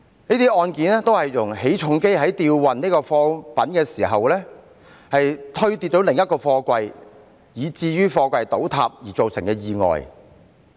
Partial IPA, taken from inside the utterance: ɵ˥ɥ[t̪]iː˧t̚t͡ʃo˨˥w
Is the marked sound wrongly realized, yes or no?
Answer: no